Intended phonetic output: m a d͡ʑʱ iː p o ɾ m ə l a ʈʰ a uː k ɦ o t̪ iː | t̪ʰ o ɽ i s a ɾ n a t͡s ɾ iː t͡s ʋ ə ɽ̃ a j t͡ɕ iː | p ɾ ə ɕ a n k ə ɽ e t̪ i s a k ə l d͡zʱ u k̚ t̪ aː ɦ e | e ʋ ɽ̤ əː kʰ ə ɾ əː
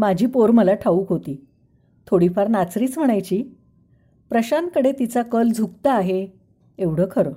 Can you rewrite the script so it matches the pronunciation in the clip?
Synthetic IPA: m a d͡ʑʱ iː p o ɾ m ə l a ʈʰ a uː k ɦ o t̪ iː | t̪ʰ o ɽ i f a ɾ n a t͡s ɾ iː t͡s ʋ ə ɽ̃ a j t͡ɕ iː | p ɾ ə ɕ a n k ə ɽ e t̪ i t͡s a k ə l d͡zʱ u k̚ t̪ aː ɦ e | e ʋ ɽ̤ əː kʰ ə ɾ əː